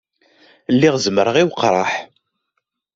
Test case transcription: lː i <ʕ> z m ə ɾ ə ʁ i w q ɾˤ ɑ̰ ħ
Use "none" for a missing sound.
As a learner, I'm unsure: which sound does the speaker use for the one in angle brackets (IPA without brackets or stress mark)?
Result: ʁ